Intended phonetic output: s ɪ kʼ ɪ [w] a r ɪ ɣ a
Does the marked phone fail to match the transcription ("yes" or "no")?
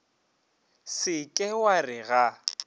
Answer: no